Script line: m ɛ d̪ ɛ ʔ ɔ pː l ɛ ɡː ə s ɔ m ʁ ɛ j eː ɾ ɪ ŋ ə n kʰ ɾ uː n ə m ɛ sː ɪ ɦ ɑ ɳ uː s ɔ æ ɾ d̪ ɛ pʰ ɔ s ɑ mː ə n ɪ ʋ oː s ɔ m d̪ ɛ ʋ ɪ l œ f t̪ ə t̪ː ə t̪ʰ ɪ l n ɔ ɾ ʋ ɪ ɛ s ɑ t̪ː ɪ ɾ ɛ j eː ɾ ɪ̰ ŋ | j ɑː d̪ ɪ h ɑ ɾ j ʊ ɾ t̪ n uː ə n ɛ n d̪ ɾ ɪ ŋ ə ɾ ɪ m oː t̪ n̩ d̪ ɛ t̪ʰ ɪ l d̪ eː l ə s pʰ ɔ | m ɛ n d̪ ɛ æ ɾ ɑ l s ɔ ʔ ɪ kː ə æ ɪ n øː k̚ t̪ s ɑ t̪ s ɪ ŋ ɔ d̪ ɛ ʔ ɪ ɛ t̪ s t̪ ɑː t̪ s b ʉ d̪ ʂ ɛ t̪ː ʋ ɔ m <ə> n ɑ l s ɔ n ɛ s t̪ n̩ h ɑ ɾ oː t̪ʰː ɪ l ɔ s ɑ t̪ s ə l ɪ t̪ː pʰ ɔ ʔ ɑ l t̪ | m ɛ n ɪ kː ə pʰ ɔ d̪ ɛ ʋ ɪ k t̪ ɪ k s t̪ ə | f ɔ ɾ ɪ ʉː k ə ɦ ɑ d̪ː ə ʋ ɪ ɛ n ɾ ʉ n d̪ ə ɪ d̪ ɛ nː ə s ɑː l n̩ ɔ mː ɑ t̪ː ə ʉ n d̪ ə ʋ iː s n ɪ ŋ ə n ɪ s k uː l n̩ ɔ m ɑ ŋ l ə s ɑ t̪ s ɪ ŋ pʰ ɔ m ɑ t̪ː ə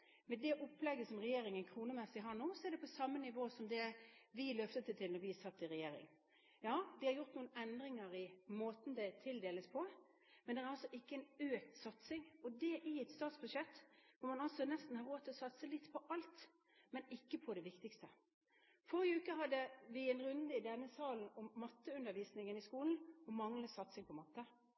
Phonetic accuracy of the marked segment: incorrect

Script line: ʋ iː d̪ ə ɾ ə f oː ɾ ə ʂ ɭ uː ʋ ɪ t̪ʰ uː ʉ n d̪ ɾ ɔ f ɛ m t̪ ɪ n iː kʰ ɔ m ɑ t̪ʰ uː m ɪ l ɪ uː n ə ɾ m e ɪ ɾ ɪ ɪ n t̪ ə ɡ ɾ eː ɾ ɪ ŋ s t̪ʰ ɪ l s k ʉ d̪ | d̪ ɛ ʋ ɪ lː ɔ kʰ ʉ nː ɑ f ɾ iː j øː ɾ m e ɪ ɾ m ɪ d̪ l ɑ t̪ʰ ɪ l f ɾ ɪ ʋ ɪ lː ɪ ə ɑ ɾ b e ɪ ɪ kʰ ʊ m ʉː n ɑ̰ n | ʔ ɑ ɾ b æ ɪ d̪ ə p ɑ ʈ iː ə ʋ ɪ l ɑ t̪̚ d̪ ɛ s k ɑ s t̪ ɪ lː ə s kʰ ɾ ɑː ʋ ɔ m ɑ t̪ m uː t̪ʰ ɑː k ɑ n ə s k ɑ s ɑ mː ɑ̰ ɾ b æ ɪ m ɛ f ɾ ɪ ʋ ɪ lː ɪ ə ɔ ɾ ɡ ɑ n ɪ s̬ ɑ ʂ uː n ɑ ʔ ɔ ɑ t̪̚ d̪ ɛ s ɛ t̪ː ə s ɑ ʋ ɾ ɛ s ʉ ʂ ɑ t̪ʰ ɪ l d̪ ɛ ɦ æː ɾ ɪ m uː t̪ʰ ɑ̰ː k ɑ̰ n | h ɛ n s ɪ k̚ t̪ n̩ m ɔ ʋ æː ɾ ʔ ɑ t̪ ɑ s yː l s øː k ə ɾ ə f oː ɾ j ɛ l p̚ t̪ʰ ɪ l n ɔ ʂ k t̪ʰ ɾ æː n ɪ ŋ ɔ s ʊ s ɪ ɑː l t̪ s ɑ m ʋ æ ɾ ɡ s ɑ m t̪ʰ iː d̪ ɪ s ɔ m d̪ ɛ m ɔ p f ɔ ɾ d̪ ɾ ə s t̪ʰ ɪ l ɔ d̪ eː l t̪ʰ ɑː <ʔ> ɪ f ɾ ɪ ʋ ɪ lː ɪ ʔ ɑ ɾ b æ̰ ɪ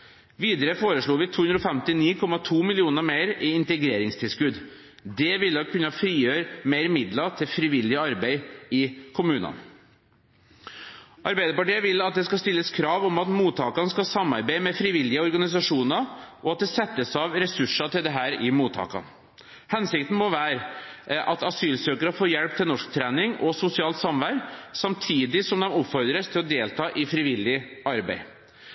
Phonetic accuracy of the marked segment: correct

